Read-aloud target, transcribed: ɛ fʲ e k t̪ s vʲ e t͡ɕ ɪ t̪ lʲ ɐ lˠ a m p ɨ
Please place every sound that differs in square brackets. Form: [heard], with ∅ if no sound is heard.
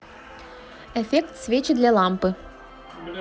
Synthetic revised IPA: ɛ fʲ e k t̪ s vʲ e t͡ɕ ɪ [d̪] lʲ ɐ lˠ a m p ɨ